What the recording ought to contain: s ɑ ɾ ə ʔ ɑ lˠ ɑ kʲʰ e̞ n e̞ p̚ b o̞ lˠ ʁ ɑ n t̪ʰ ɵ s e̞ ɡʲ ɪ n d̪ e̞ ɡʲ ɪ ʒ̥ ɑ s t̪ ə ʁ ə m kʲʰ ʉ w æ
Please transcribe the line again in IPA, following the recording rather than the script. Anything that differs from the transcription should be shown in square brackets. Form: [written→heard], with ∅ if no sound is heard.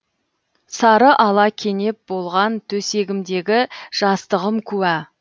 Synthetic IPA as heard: s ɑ ɾ ə ʔ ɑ lˠ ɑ kʲʰ e̞ n e̞ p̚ b o̞ lˠ ʁ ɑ n t̪ʰ ɵ s e̞ ɡʲ ɪ [n→m] d̪ e̞ ɡʲ ɪ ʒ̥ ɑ s t̪ ə ʁ ə m kʲʰ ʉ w æ